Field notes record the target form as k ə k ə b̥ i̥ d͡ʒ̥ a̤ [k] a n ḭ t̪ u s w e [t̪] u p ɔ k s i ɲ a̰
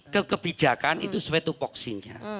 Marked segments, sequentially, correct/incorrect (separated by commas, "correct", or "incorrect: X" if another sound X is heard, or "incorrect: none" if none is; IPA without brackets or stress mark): correct, correct